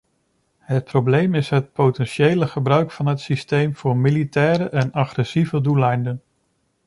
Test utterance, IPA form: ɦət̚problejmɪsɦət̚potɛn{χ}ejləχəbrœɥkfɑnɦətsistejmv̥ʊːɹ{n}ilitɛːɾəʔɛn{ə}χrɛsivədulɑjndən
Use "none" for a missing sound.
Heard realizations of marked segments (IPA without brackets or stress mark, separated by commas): ʃ, m, ɑ